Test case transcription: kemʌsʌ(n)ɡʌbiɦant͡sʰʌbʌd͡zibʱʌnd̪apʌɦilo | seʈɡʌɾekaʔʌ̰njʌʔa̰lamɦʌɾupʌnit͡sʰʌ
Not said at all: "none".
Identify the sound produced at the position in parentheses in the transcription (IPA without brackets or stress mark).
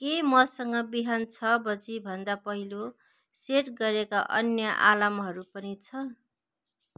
ŋ